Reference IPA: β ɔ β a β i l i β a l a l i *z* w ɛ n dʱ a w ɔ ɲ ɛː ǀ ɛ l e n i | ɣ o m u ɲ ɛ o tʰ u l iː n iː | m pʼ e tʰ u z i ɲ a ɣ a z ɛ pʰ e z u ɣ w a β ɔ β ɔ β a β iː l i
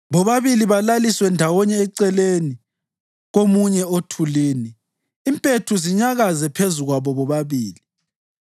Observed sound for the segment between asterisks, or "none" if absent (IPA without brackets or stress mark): s